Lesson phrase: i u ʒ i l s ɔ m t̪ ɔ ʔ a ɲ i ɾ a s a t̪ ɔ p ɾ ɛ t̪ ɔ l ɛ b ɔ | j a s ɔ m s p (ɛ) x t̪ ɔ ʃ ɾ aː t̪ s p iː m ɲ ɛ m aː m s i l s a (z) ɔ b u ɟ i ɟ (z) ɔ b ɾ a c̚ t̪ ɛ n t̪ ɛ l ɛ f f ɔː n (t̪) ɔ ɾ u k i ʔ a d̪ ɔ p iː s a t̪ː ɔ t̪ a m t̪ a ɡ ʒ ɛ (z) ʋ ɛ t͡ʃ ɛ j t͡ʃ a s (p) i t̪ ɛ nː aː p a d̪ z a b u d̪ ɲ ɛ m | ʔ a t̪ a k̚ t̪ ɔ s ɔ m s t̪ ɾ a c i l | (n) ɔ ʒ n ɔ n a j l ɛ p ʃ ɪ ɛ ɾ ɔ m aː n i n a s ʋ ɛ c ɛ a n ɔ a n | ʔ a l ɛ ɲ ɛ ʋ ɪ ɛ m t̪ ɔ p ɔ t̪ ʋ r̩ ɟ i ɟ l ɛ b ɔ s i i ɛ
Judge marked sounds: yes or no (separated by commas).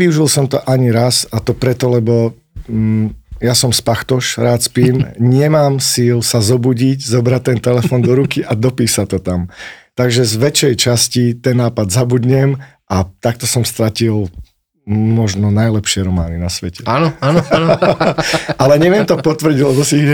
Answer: no, yes, yes, no, yes, no, no